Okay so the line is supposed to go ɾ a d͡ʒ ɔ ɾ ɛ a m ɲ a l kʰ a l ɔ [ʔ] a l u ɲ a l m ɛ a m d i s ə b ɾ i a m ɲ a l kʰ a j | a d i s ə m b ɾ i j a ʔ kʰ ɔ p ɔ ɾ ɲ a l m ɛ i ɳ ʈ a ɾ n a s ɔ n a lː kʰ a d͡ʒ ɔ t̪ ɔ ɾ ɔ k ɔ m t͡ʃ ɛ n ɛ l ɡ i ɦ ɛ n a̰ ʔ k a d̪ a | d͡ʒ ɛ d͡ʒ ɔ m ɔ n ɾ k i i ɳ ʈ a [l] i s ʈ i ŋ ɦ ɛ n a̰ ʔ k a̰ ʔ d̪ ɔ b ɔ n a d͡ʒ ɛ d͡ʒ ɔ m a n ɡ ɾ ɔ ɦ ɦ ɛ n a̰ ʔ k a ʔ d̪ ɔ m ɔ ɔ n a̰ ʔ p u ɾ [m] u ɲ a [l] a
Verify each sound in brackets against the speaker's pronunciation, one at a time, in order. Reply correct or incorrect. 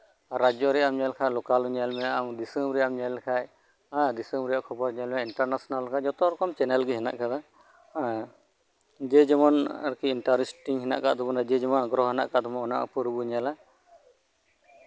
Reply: incorrect, incorrect, incorrect, correct

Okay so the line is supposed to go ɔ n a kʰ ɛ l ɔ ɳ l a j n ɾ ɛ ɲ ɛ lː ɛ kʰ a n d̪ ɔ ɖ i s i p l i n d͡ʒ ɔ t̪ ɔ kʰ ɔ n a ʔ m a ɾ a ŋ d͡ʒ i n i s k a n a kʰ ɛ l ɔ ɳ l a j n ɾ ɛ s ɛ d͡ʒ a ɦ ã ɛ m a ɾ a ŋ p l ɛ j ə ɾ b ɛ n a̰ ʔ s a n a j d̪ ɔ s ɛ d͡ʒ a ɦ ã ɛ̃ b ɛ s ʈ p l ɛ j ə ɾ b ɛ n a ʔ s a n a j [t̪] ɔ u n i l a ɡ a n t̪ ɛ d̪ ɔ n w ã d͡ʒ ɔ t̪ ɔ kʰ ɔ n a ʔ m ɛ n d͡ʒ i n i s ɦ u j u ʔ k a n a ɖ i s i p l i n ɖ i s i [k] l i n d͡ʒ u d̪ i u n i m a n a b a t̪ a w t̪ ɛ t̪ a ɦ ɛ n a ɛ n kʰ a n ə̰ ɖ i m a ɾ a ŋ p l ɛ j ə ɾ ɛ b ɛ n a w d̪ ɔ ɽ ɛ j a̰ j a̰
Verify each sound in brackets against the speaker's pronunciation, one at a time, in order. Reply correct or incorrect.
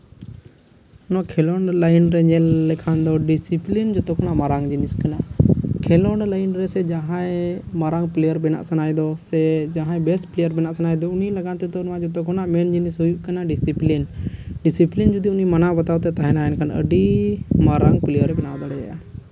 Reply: incorrect, incorrect

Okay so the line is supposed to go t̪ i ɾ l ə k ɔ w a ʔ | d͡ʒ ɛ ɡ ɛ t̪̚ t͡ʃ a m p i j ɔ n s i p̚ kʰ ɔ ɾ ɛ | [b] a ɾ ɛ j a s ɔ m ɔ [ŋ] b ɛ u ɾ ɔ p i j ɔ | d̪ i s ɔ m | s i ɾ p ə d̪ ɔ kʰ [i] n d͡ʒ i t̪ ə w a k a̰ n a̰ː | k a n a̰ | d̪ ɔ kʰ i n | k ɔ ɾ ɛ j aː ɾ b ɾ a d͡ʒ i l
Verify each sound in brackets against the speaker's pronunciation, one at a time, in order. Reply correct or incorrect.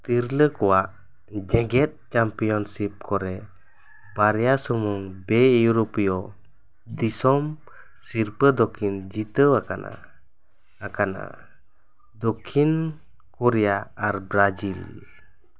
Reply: correct, correct, correct

